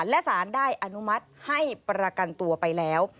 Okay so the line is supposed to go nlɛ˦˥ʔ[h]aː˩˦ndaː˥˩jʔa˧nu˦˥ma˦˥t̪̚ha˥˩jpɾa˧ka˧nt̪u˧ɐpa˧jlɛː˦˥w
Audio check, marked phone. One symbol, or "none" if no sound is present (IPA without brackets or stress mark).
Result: s